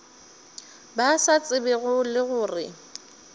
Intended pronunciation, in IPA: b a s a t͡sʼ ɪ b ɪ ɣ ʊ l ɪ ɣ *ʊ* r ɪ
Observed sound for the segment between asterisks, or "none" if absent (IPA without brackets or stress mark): ʊː